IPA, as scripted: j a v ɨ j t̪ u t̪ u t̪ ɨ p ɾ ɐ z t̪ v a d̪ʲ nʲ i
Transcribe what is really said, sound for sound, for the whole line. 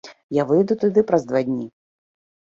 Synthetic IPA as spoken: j a v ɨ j d̪ u t̪ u d̪ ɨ p ɾ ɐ z d̪ v a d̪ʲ nʲ i